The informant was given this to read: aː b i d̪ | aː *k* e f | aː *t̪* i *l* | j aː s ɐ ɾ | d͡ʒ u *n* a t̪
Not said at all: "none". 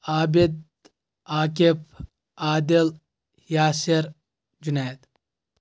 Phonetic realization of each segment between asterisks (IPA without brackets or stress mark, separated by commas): k, d̪, l, n